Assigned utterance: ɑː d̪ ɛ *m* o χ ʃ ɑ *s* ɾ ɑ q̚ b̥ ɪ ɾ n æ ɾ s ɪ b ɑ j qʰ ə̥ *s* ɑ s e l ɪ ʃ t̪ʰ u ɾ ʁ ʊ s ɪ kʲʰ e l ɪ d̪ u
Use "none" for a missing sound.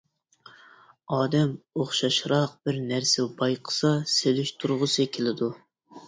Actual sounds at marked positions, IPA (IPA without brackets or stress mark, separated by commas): m, ʃ, s